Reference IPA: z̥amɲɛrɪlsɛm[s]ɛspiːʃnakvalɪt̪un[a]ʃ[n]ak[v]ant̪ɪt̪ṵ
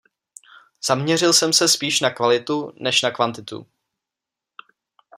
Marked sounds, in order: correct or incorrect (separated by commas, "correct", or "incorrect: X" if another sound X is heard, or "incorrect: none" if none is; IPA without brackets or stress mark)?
correct, incorrect: ɛ, correct, correct